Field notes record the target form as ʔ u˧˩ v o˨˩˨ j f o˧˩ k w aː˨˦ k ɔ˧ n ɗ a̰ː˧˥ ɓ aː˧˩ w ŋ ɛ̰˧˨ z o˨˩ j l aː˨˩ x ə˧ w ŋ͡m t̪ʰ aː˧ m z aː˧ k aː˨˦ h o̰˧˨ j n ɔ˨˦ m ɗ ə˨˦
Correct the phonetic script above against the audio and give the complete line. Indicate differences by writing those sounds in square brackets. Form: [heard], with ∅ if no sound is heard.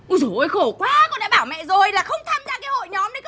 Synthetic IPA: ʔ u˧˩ [z] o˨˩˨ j [x] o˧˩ k w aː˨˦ k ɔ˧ n ɗ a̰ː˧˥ ɓ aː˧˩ w [m] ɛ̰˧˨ z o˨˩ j l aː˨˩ x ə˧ w ŋ͡m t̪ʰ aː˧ m z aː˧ k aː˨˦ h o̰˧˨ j [ɲ] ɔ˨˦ m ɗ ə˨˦